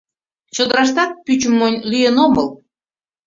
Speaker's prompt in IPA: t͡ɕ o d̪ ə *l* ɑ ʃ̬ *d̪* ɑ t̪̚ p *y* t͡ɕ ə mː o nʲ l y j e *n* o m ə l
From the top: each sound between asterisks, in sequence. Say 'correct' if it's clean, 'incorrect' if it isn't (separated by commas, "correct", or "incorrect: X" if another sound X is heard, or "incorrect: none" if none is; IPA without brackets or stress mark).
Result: incorrect: ɾ, incorrect: t̪, correct, correct